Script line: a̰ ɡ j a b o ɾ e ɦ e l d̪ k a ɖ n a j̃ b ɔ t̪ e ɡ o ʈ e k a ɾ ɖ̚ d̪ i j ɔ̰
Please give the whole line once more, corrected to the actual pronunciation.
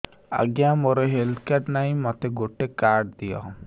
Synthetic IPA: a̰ ɡ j a m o ɾ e ɦ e l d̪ k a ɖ n a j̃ m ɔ t̪ e ɡ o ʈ e k a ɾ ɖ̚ d̪ i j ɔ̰